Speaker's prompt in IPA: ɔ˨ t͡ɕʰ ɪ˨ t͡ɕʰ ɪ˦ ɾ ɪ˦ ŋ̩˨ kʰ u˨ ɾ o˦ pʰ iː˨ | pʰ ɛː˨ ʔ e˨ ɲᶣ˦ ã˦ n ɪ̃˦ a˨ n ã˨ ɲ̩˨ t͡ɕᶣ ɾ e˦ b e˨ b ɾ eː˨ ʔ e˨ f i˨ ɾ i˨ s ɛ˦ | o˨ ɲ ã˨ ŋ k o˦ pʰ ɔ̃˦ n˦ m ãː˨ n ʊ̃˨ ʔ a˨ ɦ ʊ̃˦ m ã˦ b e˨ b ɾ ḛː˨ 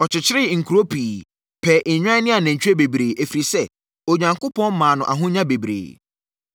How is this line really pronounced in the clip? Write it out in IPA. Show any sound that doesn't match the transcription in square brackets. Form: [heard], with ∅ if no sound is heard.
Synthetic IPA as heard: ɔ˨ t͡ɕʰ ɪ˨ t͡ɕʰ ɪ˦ ɾ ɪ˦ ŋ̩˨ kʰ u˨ ɾ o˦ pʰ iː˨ | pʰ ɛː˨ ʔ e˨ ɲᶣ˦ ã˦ n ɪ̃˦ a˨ n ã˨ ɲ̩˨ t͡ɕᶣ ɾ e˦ b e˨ b ɾ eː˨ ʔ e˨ f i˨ ɾ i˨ s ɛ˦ | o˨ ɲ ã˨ ŋ k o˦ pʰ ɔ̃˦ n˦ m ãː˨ n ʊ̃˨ ʔ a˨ ɦ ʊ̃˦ [ɲ] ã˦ b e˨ b ɾ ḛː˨